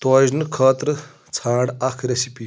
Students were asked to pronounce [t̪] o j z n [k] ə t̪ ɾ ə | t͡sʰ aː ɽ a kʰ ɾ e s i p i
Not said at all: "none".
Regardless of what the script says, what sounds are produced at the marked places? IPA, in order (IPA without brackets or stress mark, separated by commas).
t̪, kʰ